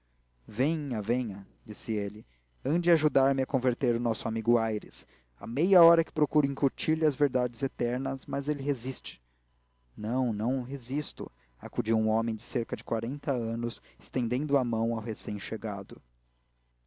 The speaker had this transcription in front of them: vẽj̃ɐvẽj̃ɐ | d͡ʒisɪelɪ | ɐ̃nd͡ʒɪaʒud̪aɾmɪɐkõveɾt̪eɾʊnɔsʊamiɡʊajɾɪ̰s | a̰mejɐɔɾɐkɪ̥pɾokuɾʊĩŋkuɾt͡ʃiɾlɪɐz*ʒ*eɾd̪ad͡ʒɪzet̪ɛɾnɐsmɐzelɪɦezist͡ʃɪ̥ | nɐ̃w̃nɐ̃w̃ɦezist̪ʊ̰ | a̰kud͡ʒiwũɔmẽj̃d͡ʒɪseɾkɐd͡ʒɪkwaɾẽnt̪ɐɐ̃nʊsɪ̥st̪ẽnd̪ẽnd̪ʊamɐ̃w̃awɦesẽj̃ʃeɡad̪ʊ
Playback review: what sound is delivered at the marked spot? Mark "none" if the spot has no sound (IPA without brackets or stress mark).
v